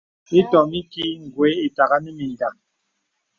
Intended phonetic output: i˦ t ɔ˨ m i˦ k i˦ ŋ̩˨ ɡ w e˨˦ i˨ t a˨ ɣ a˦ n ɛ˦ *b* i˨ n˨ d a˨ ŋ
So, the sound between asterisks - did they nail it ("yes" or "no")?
no